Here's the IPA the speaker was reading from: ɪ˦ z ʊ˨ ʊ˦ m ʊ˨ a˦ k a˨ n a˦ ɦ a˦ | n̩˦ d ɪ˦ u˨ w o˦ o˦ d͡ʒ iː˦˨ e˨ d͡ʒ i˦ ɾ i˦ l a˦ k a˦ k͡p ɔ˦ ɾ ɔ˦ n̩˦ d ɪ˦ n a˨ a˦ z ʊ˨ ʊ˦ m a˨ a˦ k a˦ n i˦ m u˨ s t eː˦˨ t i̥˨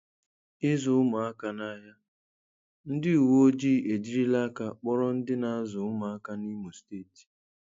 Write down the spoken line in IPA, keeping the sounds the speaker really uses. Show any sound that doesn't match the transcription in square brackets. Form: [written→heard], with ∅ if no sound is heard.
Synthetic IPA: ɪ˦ z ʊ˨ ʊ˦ m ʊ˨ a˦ k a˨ n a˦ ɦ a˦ | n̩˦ d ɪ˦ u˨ w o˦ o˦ d͡ʒ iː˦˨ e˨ d͡ʒ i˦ ɾ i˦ l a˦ k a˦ k͡p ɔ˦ ɾ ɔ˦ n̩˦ d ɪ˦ n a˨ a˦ z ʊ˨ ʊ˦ m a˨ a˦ k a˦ n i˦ m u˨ s t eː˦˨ t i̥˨